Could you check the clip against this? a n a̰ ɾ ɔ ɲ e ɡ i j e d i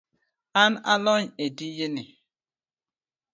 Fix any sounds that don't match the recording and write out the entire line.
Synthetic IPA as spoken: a n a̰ l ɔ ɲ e d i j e n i